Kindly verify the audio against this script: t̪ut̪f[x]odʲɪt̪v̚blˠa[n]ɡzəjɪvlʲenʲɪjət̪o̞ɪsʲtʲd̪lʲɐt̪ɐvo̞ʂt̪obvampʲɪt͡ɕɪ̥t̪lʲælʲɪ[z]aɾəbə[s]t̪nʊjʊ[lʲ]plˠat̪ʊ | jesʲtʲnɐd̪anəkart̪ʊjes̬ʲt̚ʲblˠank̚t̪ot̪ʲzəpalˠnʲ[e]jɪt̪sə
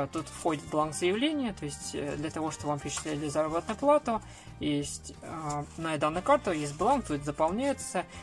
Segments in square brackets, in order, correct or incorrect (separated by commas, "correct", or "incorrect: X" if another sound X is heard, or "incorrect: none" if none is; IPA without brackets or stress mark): correct, correct, correct, incorrect: none, incorrect: none, incorrect: æ